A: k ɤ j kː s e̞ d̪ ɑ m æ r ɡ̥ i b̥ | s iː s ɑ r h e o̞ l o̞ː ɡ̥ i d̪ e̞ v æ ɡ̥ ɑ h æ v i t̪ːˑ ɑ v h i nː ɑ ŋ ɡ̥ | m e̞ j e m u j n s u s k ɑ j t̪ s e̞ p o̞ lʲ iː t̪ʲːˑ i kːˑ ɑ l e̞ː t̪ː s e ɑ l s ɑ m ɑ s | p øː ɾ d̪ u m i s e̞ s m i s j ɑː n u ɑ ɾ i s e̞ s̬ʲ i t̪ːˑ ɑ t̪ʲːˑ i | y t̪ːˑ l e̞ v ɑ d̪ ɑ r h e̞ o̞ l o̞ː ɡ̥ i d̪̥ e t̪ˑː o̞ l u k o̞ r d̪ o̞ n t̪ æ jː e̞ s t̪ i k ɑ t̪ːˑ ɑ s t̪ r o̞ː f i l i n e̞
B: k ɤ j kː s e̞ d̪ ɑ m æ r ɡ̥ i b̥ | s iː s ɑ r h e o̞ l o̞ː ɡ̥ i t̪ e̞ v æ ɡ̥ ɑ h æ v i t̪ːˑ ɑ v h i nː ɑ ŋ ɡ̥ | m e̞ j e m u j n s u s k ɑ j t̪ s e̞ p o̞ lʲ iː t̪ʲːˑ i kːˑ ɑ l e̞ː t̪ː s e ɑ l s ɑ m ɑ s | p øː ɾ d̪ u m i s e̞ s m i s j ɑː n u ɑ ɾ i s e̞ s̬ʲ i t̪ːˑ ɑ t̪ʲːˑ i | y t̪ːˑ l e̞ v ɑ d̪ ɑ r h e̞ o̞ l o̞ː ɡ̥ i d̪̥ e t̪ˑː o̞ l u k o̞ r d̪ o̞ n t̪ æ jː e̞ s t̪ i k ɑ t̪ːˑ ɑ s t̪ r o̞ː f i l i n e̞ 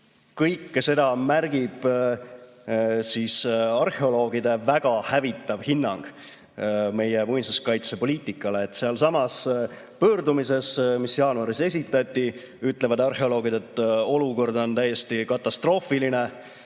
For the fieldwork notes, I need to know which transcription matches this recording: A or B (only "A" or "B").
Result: A